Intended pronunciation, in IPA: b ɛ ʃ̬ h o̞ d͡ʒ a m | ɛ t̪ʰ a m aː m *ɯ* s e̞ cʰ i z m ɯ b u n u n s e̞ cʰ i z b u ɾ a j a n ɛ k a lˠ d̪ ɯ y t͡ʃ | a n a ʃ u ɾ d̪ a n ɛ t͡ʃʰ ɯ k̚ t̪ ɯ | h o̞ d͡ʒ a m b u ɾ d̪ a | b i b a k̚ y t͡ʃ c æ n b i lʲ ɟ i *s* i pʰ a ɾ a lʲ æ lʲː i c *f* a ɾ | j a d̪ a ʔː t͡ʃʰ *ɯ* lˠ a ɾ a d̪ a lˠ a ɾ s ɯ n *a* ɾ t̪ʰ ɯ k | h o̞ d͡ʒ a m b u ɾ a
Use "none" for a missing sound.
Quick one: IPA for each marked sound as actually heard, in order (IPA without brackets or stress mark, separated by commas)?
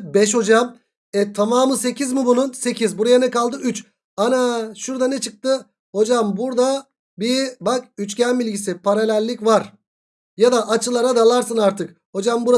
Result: ɯ, s, v, ɯ, a